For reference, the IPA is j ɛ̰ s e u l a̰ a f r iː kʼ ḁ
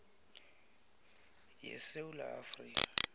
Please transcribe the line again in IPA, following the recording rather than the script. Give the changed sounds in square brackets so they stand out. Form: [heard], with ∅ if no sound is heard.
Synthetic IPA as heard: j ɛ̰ s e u l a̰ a f r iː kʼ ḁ